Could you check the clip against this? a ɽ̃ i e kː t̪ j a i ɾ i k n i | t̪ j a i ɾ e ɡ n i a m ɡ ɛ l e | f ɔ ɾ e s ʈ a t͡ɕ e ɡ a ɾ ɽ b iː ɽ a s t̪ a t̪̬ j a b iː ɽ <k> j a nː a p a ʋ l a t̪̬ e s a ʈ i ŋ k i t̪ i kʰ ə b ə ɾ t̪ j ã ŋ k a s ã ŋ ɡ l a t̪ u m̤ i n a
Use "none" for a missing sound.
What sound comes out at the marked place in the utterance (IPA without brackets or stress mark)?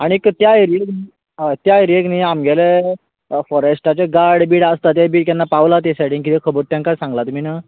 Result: k